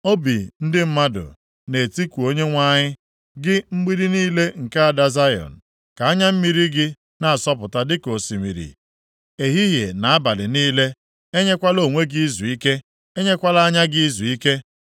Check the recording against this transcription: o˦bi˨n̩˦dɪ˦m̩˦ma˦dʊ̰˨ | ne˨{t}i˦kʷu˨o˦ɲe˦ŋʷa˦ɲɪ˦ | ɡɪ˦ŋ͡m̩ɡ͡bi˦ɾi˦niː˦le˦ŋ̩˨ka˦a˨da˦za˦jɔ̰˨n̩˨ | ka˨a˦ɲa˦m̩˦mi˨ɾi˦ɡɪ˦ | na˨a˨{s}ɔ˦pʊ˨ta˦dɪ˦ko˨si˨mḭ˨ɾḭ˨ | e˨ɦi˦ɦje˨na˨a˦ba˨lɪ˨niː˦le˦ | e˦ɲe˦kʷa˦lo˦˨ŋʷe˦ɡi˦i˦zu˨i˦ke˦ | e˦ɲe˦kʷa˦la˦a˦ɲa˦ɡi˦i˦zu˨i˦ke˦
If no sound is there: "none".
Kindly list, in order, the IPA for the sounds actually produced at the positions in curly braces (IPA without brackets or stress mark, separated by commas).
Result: t, s